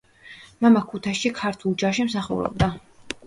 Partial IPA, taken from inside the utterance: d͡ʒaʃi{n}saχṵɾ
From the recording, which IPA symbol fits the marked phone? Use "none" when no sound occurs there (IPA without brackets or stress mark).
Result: m